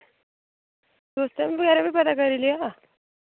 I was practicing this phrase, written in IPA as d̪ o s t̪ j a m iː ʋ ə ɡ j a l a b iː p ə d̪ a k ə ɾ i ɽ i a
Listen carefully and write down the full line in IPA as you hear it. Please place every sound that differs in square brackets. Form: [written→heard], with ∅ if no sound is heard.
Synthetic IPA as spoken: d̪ o s t̪ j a m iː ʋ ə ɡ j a [l→ɾ] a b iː p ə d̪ a k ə ɾ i [ɽ→l] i a